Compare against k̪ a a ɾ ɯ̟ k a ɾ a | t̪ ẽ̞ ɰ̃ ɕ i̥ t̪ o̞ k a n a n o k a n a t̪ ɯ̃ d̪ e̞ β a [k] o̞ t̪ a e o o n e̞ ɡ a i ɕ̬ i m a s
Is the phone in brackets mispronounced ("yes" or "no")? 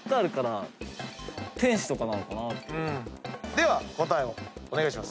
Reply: no